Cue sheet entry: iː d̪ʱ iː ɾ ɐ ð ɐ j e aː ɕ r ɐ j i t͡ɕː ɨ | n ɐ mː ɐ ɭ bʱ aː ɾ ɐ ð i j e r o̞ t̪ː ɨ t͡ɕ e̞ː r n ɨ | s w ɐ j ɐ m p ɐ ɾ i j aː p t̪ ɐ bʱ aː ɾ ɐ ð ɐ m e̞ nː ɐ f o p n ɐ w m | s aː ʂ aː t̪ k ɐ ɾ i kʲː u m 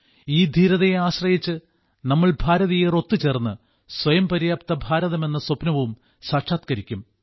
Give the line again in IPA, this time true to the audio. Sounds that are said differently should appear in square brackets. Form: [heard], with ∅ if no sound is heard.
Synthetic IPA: iː d̪ʱ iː ɾ ɐ ð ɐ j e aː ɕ r ɐ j i t͡ɕː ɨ | n ɐ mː ɐ ɭ bʱ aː ɾ ɐ ð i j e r o̞ t̪ː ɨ t͡ɕ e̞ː r [nː] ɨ | s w ɐ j ɐ m p ɐ ɾ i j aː p t̪ ɐ bʱ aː ɾ ɐ ð ɐ m e̞ nː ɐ [s] o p n ɐ [ʋ] m | s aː ʂ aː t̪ k ɐ ɾ i kʲː u m